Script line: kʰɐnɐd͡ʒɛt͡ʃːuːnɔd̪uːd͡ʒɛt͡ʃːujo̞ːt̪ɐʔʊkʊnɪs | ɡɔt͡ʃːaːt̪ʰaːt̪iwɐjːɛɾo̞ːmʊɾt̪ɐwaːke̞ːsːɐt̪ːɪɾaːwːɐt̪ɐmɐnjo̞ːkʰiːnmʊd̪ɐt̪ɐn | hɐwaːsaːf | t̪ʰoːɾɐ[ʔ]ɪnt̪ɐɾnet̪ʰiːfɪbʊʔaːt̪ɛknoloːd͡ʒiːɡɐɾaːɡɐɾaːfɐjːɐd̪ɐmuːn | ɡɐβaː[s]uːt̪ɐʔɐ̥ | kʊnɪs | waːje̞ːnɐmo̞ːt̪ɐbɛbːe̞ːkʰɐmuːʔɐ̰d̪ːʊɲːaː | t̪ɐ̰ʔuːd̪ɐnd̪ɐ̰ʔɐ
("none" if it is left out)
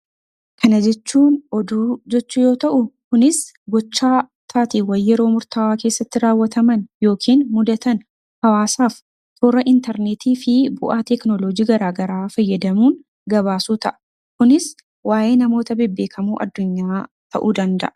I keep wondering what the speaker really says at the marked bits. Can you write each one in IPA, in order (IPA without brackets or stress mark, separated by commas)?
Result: ʔ, s